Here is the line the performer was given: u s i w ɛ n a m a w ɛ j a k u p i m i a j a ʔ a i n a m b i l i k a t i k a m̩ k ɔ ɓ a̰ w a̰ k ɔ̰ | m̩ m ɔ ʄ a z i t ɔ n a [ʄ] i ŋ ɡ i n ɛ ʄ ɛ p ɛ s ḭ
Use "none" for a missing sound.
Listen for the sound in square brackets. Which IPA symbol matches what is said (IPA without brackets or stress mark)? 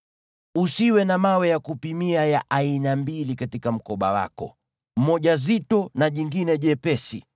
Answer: ʄ